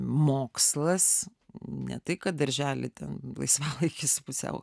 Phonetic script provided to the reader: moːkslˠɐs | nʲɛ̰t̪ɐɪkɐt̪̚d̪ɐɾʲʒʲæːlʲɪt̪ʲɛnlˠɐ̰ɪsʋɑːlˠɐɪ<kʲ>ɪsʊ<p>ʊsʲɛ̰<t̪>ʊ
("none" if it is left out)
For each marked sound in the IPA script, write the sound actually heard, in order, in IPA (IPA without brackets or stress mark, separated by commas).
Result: kʲ, p, none